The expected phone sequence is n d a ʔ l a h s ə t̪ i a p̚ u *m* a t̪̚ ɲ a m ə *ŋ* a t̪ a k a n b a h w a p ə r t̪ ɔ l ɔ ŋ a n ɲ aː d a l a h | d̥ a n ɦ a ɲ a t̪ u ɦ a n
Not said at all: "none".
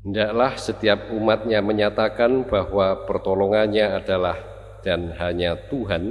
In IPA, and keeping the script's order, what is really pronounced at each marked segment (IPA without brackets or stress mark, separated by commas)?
m, ɲ